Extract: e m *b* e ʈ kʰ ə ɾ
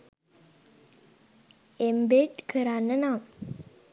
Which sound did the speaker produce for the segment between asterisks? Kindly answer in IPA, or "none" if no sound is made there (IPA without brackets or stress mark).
b